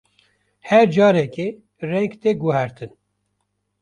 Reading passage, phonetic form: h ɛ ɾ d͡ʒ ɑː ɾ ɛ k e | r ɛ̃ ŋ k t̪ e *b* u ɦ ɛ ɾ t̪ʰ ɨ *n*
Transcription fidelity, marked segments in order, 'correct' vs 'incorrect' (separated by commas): incorrect, correct